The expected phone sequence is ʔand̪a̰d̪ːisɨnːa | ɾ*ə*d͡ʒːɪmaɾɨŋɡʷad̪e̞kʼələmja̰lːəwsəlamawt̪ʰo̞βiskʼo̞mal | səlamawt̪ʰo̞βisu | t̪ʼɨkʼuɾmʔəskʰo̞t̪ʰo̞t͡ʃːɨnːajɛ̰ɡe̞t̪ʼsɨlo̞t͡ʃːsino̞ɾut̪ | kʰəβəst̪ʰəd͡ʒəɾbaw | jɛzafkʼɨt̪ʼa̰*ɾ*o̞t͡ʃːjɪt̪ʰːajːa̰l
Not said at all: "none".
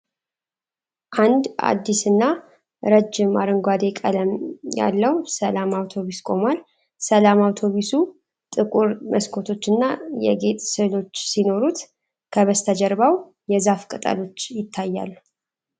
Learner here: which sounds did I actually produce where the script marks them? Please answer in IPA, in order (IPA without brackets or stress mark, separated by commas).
ə, l